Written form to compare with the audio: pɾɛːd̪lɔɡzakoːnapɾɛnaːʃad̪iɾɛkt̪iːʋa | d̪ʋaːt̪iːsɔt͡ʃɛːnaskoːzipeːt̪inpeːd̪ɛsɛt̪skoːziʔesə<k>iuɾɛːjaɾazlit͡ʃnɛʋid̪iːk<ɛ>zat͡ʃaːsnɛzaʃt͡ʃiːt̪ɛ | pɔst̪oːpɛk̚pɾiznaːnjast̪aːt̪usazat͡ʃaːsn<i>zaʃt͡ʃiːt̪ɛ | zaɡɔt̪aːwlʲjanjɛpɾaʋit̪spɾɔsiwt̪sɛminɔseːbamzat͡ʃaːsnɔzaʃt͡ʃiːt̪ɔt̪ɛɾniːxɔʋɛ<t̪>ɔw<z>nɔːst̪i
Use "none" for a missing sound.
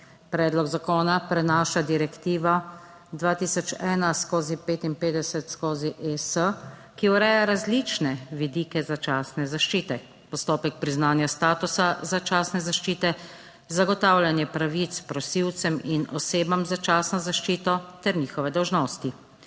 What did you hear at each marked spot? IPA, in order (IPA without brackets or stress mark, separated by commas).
k, ɛ, ɛ, d̪, ʒ